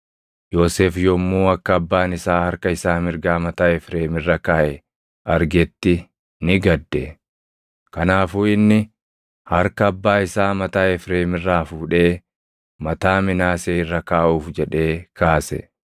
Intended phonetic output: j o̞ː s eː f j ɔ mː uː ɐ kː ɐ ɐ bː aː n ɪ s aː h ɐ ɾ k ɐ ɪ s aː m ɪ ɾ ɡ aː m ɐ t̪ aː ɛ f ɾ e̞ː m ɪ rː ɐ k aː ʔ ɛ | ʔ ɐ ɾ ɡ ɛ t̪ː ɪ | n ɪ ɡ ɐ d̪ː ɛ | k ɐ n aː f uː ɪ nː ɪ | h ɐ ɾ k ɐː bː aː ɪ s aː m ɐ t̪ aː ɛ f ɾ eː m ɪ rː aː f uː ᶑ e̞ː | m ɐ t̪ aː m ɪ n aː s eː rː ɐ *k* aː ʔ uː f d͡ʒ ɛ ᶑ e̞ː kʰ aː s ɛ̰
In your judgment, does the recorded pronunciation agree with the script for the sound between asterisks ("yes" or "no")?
yes